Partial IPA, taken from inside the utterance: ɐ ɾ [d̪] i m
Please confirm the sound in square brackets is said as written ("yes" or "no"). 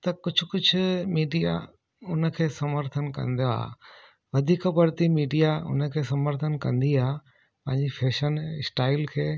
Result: no